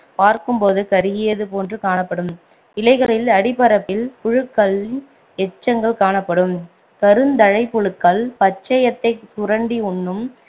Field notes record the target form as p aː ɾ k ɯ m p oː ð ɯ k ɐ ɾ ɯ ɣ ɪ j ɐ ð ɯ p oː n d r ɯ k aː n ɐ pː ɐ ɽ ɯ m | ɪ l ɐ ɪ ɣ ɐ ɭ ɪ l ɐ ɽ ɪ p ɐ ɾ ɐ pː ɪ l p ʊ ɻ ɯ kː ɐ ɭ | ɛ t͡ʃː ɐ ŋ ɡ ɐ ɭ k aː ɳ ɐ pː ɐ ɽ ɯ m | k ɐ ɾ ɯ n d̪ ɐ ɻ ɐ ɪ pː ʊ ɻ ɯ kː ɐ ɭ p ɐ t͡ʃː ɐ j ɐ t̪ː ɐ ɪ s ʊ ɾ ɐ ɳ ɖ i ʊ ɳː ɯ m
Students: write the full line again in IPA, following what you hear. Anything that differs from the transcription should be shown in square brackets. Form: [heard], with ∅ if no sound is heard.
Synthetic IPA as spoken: p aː ɾ k ɯ m p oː ð ɯ k ɐ ɾ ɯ ɣ ɪ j ɐ ð ɯ p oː n d r ɯ k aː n ɐ pː ɐ ɽ ɯ m | ɪ l ɐ ɪ ɣ ɐ ɭ ɪ l ɐ ɽ ɪ p ɐ ɾ ɐ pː ɪ l p ʊ ɻ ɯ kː ɐ ɭ | ɛ t͡ʃː ɐ ŋ ɡ ɐ ɭ k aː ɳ ɐ pː ɐ ɽ ɯ m | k ɐ ɾ ɯ n d̪ ɐ ɻ ɐ ɪ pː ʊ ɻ ɯ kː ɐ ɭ p ɐ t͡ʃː ɐ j ɐ t̪ː ɐ ɪ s ʊ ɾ ɐ ɳ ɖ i ʊ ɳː ɯ m